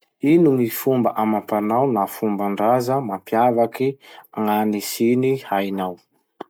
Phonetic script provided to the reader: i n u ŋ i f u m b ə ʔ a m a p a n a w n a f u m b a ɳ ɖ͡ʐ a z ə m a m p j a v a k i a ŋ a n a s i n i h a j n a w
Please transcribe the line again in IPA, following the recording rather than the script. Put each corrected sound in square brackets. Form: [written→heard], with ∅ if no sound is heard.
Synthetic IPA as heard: i n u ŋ i f u m b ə ʔ a m a p a n a w n a f u m b a ɳ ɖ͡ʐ a z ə m a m p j a v a k i a ŋ a n [a→i] s i n i h a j n a w